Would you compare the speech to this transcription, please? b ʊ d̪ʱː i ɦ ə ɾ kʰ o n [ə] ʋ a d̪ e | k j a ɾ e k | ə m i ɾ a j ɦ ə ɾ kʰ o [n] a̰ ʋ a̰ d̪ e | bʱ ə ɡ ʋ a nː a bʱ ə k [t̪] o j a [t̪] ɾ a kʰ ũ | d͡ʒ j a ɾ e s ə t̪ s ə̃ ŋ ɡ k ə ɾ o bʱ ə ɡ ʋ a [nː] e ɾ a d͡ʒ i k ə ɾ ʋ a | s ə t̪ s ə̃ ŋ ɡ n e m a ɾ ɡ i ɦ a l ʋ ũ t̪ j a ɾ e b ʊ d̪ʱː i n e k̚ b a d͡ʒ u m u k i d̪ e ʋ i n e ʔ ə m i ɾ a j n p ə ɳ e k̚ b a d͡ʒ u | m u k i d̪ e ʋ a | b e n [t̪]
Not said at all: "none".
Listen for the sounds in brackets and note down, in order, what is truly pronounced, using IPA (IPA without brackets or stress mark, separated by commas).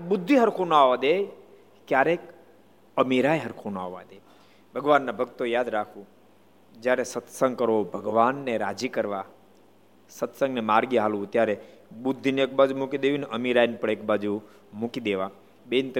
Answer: a, n, t̪, d̪, nː, t̪